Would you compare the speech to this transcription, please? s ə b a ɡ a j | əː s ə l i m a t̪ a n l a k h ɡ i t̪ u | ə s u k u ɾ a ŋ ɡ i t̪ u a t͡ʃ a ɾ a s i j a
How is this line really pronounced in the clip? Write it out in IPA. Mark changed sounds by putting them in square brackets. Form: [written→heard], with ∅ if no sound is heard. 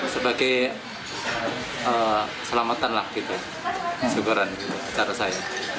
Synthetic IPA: s ə b a ɡ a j | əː s ə l [i→a] m a t̪ a n l a [k→∅] h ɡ i t̪ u | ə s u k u ɾ a [ŋ→n] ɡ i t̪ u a t͡ʃ a ɾ a s [i→a] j a